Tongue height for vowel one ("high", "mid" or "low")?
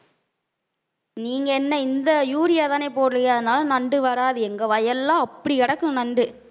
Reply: high